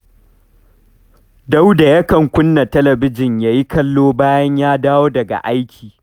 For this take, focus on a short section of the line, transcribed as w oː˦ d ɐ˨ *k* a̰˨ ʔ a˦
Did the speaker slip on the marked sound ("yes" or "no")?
yes